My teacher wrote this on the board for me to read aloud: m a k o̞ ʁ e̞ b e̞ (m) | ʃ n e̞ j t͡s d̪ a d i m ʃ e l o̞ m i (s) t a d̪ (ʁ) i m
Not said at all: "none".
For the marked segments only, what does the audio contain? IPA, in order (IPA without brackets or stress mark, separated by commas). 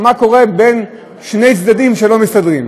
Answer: n, s, ʁ